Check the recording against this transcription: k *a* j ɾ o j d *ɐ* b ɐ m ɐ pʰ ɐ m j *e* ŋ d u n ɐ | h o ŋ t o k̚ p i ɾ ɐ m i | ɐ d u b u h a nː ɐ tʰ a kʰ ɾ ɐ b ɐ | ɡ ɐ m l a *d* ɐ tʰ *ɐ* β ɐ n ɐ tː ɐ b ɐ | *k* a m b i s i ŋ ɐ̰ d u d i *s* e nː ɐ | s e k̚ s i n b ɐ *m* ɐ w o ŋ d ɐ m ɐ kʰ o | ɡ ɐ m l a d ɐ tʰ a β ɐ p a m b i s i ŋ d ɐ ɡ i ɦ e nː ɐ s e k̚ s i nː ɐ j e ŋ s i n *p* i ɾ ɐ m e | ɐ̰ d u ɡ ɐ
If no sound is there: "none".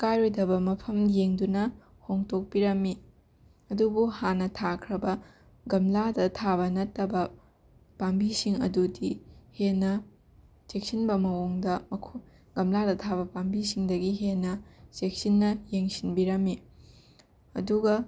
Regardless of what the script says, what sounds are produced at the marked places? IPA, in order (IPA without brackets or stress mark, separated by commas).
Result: a, ɐ, e, d, a, p, h, m, b